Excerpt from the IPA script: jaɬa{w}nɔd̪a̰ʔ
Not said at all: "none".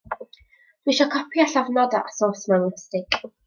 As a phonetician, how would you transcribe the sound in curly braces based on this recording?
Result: v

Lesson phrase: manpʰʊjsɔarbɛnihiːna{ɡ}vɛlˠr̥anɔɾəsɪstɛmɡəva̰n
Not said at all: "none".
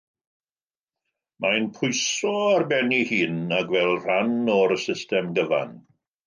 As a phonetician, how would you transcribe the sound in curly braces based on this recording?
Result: ɡ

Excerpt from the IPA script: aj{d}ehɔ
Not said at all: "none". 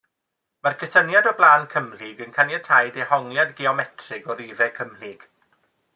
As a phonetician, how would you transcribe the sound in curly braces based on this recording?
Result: d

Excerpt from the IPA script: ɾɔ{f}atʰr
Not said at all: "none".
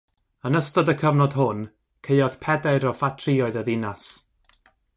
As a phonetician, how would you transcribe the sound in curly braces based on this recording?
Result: f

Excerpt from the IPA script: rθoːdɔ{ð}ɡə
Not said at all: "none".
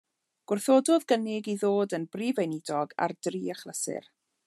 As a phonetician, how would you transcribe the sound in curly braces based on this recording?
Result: ð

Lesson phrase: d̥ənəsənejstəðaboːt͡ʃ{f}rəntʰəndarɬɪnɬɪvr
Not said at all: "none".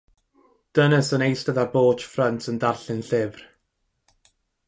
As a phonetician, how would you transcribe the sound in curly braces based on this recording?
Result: f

